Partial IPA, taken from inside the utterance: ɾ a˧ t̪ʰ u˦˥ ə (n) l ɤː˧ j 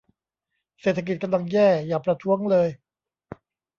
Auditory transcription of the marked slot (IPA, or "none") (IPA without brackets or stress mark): ŋ